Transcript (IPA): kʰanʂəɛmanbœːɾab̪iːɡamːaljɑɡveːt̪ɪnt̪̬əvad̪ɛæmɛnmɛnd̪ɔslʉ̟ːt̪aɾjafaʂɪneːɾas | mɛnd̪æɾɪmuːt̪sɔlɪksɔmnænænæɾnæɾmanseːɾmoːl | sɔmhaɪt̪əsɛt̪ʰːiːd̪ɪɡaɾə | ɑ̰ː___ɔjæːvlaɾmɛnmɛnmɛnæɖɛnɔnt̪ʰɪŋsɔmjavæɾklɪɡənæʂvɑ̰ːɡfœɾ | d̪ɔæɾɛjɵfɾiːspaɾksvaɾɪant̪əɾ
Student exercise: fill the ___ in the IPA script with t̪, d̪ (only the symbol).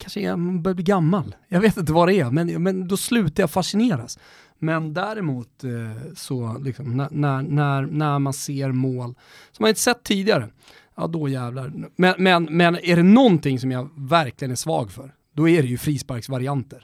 d̪